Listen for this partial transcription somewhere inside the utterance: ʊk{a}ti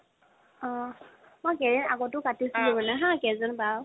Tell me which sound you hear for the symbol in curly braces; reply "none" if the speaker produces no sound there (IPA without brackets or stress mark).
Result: a